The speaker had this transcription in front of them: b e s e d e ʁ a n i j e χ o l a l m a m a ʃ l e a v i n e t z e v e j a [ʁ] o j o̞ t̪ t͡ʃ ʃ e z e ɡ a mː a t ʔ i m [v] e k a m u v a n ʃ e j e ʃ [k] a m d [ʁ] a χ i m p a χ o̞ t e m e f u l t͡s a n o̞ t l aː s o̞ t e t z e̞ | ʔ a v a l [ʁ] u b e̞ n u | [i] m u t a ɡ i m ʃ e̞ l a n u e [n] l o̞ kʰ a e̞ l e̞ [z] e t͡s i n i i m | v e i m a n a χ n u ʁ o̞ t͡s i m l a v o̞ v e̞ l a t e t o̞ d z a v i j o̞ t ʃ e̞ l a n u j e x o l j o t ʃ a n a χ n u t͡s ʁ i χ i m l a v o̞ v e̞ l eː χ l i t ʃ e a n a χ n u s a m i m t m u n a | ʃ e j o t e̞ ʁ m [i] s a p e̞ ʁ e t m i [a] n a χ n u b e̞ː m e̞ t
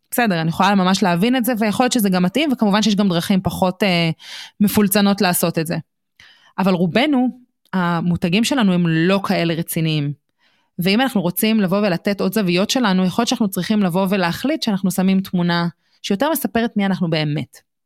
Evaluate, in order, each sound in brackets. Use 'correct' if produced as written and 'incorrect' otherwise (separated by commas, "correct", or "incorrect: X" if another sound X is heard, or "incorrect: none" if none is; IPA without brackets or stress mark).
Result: incorrect: χ, correct, incorrect: ɡ, correct, correct, incorrect: a, incorrect: m, incorrect: ʁ, incorrect: e, correct